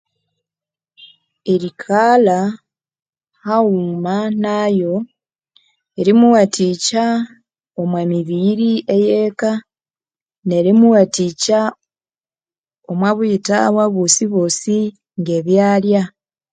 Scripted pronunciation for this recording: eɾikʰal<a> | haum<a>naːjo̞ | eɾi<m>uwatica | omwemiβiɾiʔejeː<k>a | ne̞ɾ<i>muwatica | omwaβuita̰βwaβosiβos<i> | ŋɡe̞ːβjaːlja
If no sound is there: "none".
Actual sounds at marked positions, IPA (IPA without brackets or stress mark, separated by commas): a, a, m, k, i, i